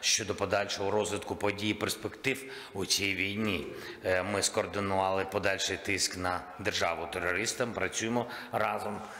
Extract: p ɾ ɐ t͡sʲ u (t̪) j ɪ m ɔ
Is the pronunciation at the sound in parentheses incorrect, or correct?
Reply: incorrect